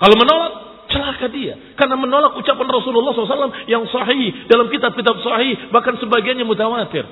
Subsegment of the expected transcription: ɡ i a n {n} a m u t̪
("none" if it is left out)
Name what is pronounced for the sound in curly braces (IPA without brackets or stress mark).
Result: ɲ